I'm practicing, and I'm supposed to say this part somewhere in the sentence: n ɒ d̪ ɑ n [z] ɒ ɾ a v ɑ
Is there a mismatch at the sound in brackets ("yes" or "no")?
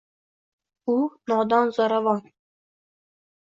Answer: no